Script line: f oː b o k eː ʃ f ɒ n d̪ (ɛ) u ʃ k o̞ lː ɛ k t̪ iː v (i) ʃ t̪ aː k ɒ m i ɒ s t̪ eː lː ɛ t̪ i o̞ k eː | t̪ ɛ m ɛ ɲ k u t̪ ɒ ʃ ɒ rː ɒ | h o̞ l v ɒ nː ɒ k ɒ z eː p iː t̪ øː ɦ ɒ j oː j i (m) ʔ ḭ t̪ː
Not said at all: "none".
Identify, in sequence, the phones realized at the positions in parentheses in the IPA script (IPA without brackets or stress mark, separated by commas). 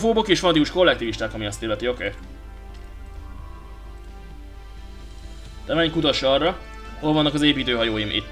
i, i, m